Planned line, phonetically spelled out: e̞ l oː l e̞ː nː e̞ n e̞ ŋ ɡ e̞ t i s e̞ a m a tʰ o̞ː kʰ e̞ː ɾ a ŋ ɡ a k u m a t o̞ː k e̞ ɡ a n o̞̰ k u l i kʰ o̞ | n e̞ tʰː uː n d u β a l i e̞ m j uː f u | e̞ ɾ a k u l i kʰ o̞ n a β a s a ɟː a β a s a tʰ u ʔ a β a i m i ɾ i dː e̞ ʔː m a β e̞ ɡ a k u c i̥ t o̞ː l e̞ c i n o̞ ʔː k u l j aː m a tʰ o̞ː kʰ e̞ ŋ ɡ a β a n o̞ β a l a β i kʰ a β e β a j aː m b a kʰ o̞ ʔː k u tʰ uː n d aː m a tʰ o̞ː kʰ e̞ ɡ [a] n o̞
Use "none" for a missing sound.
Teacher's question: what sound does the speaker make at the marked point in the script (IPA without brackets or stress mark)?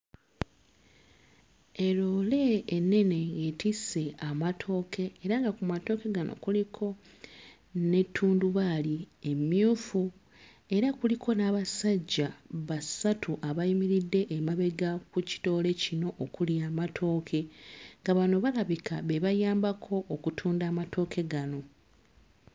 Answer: a